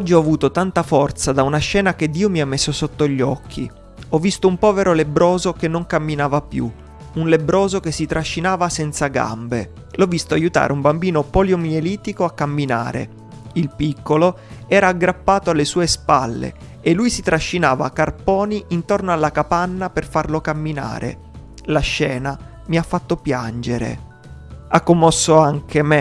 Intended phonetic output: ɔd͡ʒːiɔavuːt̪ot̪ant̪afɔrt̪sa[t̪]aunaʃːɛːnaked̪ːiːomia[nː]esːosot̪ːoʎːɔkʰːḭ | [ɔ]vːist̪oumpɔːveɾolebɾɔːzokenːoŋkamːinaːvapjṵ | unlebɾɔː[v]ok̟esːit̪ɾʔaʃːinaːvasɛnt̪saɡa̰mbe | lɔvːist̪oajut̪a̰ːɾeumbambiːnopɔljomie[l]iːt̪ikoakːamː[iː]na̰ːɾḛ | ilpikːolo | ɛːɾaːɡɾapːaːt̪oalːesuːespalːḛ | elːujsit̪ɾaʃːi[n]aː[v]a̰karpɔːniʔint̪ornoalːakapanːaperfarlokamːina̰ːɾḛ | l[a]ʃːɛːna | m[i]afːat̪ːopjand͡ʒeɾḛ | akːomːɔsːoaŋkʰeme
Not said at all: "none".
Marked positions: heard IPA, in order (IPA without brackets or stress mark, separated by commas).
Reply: d̪, mː, ɔ, z, l, i, n, v, a, i